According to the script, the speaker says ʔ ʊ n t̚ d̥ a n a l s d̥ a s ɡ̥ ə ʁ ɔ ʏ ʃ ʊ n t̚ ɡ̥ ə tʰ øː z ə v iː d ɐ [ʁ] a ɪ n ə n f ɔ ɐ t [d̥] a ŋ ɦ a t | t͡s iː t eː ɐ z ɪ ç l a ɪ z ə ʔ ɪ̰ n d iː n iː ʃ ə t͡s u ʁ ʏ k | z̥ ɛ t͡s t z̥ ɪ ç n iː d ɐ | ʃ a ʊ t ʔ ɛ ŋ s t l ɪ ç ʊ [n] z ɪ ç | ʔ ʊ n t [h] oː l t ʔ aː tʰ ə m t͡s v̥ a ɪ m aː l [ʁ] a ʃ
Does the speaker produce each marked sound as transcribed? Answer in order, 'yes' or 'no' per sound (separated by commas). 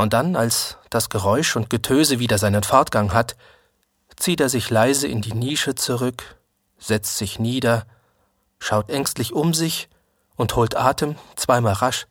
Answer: no, no, no, yes, yes